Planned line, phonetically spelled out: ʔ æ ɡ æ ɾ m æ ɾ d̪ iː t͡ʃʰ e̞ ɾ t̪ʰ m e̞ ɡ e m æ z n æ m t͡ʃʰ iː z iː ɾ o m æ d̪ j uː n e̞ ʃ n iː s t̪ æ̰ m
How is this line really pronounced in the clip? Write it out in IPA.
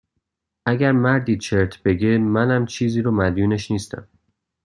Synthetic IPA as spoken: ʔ æ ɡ æ ɾ m æ ɾ d̪ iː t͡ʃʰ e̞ ɾ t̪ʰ b e̞ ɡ e m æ n æ m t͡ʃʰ iː z iː ɾ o m æ d̪ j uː n e̞ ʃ n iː s t̪ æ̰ m

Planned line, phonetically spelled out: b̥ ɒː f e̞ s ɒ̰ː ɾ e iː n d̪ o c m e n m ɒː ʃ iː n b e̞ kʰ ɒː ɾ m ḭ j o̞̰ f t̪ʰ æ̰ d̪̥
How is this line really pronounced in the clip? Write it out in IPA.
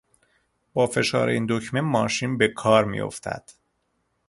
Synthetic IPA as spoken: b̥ ɒː f e̞ ʃ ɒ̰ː ɾ e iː n d̪ o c m e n m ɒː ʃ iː n b e̞ kʰ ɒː ɾ m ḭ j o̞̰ f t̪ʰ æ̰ d̪̥

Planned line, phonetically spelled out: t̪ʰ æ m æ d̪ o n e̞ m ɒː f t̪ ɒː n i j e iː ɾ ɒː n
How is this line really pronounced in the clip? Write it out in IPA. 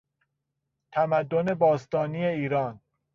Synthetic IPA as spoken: t̪ʰ æ m æ d̪ː o n e̞ b ɒː s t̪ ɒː n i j e iː ɾ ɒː n

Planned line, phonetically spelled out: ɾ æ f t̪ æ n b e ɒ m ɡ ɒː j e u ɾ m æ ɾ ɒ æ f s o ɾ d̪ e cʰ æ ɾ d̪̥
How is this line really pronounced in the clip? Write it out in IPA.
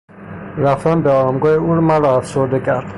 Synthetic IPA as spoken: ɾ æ f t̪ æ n b e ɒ m ɡ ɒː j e u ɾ m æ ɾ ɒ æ f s o ɾ d̪ e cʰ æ ɾ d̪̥

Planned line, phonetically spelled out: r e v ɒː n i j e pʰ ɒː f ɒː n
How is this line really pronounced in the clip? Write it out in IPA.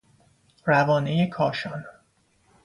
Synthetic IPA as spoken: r æ v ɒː n e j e kʰ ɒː ʃ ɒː n

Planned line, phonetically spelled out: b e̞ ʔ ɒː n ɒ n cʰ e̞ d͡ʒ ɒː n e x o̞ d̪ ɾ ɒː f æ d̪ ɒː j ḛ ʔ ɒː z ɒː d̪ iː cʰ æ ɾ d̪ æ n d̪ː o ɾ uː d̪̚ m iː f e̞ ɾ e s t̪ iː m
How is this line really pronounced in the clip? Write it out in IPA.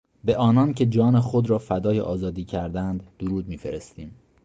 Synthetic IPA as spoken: b e̞ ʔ ɒː n ɒ n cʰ e̞ d͡ʒ ɒː n e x o̞ d̪ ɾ ɒː f æ d̪ ɒː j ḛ ʔ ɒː z ɒː d̪ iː cʰ æ ɾ d̪ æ n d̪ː o ɾ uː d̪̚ m iː f e̞ ɾ e s t̪ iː m

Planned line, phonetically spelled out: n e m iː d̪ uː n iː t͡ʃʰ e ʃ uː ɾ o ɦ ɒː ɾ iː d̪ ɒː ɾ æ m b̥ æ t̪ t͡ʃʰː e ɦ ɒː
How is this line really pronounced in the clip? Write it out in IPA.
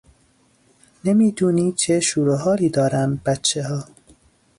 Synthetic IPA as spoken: n e m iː d̪ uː n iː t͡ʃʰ e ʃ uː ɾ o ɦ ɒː ɾ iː d̪ ɒː ɾ æ m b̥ æ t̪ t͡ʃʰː e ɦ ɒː

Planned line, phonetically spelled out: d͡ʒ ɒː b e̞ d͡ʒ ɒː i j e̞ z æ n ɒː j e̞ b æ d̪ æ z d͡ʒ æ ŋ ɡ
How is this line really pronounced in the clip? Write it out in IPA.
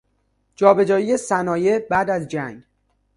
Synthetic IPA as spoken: d͡ʒ ɒː b e̞ d͡ʒ ɒː i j e̞ s æ n ɒː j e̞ b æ d̪ æ z d͡ʒ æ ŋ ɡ

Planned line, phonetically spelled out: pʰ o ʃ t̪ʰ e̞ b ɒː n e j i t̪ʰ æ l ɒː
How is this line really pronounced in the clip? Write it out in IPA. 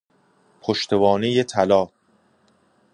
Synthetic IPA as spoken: pʰ o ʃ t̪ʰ e̞ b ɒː n e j e t̪ʰ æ l ɒː

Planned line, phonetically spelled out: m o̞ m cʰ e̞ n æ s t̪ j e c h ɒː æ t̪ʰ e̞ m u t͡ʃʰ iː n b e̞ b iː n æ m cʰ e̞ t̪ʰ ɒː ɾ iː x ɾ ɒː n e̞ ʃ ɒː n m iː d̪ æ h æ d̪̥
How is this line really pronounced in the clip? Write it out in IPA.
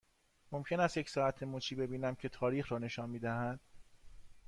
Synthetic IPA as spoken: m o̞ m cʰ e̞ n æ s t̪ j e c s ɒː æ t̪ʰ e̞ m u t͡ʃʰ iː b e̞ b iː n æ m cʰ e̞ t̪ʰ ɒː ɾ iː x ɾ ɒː n e̞ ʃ ɒː n m iː d̪ æ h æ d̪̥

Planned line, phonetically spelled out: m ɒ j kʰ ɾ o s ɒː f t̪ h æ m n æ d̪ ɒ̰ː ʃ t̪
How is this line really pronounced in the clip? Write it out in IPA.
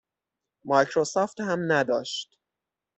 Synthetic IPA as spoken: m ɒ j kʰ ɾ o s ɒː f t̪ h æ m n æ d̪ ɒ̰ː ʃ t̪

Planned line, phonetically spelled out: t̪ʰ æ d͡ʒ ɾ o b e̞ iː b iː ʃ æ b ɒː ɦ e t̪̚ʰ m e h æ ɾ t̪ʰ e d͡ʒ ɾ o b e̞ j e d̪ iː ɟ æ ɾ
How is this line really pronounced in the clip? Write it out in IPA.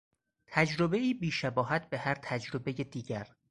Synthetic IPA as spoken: t̪ʰ æ d͡ʒ ɾ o b e̞ iː b iː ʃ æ b ɒː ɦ æ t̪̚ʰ b e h æ ɾ t̪ʰ æ d͡ʒ ɾ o b e̞ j e d̪ iː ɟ æ ɾ

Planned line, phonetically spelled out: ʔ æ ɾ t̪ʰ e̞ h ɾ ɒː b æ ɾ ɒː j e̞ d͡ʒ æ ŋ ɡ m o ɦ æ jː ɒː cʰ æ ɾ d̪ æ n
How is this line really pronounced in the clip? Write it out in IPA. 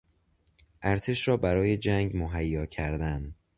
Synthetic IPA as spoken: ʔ æ ɾ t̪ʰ e̞ ʃ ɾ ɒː b æ ɾ ɒː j e̞ d͡ʒ æ ŋ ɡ m o ɦ æ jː ɒː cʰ æ ɾ d̪ æ n

